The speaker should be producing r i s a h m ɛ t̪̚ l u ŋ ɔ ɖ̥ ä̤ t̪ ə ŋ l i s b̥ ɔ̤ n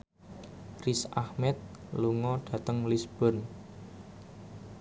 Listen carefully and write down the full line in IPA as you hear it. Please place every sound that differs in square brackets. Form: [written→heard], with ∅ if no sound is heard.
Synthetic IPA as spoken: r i s a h m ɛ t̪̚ l u ŋ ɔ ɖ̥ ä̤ t̪ ə ŋ l i s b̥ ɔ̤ n